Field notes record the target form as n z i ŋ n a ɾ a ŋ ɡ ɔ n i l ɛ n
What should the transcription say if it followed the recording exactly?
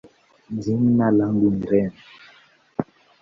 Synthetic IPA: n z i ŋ n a l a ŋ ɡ u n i ɾ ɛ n